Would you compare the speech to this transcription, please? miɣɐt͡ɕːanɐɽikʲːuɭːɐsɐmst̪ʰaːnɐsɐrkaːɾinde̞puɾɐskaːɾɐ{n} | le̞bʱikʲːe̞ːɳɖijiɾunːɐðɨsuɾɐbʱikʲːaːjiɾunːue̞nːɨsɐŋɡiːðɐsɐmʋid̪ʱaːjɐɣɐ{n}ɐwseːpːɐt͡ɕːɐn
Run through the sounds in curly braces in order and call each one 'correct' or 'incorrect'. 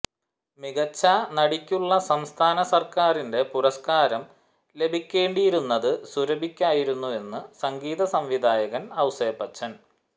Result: incorrect: m, correct

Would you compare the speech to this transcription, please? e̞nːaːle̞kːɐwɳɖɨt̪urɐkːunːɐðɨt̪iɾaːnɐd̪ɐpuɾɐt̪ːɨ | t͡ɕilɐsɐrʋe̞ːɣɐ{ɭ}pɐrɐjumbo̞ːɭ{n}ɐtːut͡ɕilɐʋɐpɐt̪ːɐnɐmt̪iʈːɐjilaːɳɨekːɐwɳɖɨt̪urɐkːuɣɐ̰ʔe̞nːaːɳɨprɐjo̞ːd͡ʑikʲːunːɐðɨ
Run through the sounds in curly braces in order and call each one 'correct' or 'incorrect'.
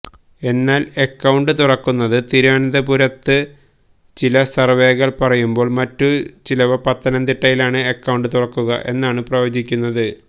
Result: correct, incorrect: m

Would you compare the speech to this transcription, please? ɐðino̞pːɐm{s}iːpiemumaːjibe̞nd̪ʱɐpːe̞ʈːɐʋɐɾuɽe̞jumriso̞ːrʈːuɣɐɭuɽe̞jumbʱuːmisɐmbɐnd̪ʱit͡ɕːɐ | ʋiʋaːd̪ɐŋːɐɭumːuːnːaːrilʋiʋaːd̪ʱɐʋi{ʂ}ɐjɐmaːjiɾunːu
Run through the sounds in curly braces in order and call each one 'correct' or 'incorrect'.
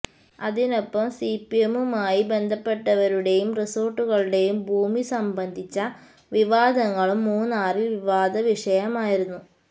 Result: correct, correct

